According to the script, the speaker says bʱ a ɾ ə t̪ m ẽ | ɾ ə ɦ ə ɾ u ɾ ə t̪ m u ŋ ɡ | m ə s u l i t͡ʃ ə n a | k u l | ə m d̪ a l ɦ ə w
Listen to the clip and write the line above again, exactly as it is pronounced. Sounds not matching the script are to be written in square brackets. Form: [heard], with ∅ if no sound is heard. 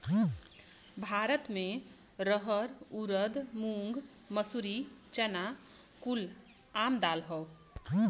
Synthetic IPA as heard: bʱ a ɾ ə t̪ m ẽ | ɾ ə ɦ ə ɾ u ɾ ə [d̪] m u ŋ ɡ | m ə s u [ɾ] i t͡ʃ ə n a | k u l | [a] m d̪ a l ɦ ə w